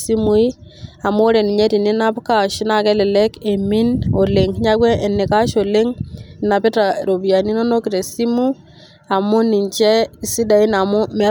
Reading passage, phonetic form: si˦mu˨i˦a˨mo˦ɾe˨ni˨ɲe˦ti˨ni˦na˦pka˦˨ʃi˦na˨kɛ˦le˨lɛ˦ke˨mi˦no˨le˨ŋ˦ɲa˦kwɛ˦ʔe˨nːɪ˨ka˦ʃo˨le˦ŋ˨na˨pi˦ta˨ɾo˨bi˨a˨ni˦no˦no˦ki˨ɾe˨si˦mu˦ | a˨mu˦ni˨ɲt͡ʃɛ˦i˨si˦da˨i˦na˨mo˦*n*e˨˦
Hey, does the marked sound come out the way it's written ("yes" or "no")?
no